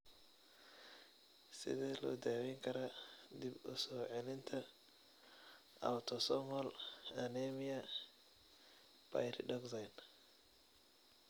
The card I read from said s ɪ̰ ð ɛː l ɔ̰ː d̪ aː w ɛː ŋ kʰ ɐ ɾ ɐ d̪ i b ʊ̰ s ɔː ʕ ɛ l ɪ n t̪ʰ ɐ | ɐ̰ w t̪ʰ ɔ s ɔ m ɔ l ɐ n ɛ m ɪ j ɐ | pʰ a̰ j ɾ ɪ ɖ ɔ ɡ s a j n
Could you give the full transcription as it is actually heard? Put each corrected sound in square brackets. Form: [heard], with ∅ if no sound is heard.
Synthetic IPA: s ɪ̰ ð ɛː l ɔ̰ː d̪ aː w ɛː ŋ kʰ ɐ ɾ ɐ d̪ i b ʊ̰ s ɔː ʕ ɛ l ɪ n t̪ʰ ɐ | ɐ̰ w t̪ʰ ɔ s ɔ m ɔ l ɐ n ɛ m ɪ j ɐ | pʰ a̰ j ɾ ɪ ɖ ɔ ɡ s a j n